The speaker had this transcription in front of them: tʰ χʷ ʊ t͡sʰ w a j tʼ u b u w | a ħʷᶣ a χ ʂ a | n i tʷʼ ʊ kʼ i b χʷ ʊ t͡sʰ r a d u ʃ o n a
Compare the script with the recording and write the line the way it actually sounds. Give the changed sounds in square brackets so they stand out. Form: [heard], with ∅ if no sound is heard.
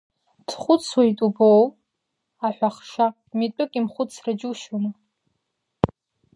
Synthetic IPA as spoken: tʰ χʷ ʊ t͡sʰ w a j tʼ u b [o] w | a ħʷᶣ a χ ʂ a | [m] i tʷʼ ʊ kʼ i [m] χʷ ʊ t͡sʰ r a [d͡ʒ] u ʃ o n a